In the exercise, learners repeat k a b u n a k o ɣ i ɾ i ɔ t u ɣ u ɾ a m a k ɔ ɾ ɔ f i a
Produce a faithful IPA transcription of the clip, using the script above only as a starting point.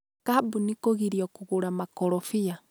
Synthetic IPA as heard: k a b u n i k o ɣ i ɾ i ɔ k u ɣ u ɾ a m a k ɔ ɾ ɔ f i a